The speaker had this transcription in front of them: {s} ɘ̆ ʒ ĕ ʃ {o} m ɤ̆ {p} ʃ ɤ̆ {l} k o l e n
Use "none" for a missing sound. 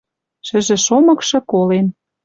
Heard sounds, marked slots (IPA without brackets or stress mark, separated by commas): ʃ, o, k, none